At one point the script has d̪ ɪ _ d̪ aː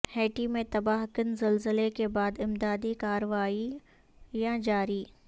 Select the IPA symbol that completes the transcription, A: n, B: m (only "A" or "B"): B